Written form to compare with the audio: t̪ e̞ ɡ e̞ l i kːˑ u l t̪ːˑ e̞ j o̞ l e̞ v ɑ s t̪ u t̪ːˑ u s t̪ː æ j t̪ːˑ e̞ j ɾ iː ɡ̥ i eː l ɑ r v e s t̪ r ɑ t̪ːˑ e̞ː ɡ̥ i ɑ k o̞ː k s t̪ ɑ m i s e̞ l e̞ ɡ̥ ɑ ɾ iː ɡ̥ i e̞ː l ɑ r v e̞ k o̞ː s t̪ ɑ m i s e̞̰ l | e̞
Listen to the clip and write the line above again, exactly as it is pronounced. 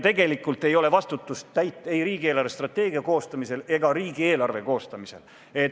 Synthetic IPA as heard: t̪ e̞ ɡ e̞ l i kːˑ u l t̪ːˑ e̞ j o̞ l e̞ v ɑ s t̪ u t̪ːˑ u s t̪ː æ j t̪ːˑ e̞ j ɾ iː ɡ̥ i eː l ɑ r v e s t̪ r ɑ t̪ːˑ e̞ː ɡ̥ i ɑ k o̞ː s t̪ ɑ m i s e̞ l e̞ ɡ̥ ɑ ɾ iː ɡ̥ i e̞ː l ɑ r v e̞ k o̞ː s t̪ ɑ m i s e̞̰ l | e̞